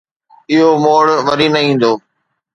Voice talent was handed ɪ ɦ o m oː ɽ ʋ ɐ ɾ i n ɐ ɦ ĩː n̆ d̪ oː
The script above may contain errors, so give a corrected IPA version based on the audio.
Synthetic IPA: ɪ ɦ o m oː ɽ ʋ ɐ ɾ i n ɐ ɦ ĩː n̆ d̪ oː

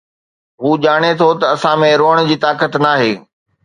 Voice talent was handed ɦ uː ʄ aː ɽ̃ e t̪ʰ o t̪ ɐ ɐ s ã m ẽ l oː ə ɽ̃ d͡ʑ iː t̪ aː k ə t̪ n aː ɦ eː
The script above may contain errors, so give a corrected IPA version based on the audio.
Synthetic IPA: ɦ uː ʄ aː ɽ̃ e t̪ʰ o t̪ ɐ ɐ s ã m ẽ ɾ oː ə ɽ̃ d͡ʑ iː t̪ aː k ə t̪ n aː ɦ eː

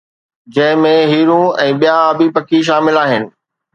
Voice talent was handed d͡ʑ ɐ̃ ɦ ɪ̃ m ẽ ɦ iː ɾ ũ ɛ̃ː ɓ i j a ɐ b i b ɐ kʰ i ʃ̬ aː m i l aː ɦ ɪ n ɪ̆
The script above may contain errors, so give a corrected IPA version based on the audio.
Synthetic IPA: d͡ʑ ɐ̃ ɦ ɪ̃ m ẽ ɦ iː ɾ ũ ɛ̃ː ɓ i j a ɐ b i p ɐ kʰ i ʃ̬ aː m ɪ l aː ɦ ɪ n ɪ̆

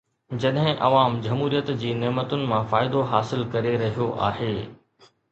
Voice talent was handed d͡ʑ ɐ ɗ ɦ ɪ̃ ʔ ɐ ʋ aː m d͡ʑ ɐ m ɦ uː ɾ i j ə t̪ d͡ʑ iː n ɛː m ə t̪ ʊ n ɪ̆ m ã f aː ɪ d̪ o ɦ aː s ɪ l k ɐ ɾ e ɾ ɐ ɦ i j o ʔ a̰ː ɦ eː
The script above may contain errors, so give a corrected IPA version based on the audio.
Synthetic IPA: d͡ʑ ɐ ɗ ɦ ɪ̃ ʔ ɐ ʋ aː m d͡ʑ ɐ m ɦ uː ɾ i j ə t̪ d͡ʑ iː n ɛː m ə t̪ ʊ n ɪ̆ m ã f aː ɪ d̪ o ɦ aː s ɪ l k ɐ ɾ e ɾ ɐ ɦ i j o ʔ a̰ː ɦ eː

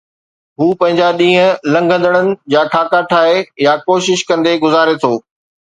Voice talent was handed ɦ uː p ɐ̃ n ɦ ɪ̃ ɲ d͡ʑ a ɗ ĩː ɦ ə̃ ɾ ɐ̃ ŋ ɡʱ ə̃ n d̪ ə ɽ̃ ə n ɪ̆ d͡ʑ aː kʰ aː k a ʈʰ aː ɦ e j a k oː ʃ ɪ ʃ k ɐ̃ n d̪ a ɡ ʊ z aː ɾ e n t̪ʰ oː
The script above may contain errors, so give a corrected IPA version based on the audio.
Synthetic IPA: ɦ uː p ɐ̃ ɦ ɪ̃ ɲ d͡ʑ a ɗ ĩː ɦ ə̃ l ɐ̃ ŋ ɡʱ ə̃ n d̪ ə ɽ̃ ə n ɪ̆ d͡ʑ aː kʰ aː k a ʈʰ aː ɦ e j a k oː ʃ ɪ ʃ k ɐ̃ n d̪ e ɡ ʊ z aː ɾ e t̪ʰ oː

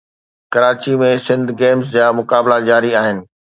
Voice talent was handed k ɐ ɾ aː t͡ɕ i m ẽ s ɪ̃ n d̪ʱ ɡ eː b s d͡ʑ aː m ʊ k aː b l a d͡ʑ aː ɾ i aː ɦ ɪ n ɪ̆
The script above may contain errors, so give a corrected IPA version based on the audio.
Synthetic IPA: k ɐ ɾ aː t͡ɕ i m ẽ s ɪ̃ n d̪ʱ ɡ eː m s d͡ʑ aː m ʊ k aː b l a d͡ʑ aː ɾ i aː ɦ ɪ n ɪ̆

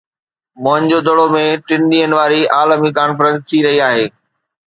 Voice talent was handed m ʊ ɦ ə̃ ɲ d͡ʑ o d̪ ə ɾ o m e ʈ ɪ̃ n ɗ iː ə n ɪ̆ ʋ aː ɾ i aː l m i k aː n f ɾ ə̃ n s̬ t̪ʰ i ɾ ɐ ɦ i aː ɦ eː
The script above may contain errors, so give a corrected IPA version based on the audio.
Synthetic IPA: m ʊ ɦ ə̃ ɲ d͡ʑ o d̪ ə ɽ o m ẽ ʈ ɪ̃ n ɗ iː ə n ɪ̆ ʋ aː ɾ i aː l m i k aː n f ɾ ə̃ n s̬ t̪ʰ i ɾ ɐ ɦ i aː ɦ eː

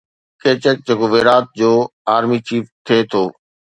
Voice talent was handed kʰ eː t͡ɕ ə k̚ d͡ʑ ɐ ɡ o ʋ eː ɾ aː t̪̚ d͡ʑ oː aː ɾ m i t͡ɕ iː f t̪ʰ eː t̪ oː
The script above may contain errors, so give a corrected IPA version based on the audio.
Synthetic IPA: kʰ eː t͡ɕ ə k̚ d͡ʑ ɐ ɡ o ʋ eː ɾ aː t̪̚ d͡ʑ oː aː ɾ m i t͡ɕ iː f t̪ʰ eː t̪ʰ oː

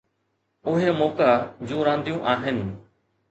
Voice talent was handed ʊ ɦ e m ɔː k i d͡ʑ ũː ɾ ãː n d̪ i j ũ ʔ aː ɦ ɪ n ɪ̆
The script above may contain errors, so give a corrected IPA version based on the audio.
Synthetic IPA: ʊ ɦ e m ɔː k a d͡ʑ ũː ɾ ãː n d̪ i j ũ ʔ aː ɦ ɪ n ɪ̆

